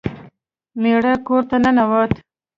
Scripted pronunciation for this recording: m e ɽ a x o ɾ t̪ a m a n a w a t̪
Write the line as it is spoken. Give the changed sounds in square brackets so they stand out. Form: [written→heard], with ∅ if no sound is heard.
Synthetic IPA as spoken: m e ɽ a [x→k] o ɾ t̪ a [m→n] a n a w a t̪